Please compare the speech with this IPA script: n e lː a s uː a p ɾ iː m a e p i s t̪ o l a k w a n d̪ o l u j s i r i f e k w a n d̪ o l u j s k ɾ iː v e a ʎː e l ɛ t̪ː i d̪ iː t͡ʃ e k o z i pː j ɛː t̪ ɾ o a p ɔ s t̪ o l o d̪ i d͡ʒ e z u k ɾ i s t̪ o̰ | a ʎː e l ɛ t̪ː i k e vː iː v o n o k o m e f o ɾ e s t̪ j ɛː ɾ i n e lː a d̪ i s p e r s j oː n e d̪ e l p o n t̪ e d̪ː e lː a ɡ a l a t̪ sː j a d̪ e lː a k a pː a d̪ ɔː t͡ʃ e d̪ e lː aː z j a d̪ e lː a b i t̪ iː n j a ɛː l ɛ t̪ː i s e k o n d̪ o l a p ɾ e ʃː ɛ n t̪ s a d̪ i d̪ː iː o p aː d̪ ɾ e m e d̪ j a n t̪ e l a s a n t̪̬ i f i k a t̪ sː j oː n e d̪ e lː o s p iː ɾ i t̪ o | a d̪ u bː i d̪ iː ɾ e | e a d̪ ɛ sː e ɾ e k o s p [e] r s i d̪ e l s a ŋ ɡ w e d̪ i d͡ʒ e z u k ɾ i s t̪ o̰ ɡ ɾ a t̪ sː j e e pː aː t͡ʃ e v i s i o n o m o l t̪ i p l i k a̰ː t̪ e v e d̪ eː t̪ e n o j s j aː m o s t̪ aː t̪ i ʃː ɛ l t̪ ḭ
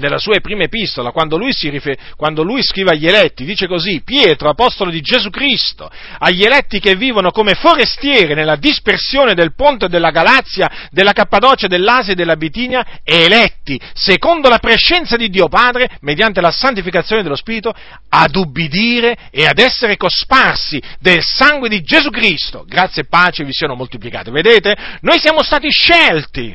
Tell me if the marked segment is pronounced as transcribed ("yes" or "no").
no